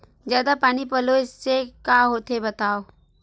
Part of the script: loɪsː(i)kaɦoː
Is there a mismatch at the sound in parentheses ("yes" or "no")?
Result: yes